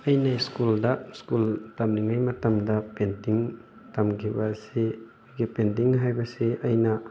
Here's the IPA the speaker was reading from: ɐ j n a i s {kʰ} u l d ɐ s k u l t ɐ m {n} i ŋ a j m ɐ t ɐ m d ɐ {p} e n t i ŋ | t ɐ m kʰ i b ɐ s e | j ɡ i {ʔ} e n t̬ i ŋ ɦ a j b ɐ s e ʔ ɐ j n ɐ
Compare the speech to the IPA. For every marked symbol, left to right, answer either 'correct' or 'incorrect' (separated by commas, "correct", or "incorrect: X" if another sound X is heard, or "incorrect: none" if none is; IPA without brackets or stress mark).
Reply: incorrect: k, correct, correct, incorrect: p